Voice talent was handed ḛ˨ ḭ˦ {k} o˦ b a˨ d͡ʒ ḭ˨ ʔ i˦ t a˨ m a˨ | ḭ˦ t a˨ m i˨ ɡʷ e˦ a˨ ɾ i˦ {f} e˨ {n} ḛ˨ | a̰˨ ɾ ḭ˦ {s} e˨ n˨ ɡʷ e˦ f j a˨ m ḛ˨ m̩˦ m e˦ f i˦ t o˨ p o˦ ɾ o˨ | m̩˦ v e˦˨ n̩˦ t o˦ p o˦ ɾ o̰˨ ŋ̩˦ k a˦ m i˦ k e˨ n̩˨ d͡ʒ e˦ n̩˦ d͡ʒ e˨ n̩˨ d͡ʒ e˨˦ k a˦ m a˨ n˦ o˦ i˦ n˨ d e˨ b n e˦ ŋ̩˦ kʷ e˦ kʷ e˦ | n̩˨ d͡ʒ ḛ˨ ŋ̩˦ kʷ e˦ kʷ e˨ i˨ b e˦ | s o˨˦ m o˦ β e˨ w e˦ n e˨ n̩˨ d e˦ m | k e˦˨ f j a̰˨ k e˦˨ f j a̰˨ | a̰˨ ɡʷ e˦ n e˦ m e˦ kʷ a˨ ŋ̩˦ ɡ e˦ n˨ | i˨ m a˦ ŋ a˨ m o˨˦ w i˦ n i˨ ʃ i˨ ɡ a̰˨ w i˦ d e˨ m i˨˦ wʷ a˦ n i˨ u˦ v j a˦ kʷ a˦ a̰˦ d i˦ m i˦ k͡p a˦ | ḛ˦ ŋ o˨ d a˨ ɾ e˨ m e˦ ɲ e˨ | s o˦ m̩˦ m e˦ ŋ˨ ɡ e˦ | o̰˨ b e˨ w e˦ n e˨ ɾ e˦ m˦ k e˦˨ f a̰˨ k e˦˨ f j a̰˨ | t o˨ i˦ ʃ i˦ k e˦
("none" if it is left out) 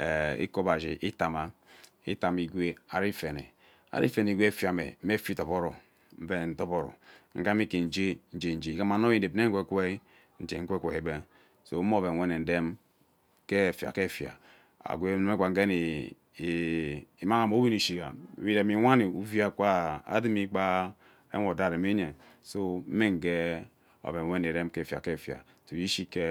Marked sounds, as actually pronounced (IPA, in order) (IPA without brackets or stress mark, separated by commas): k, f, n, f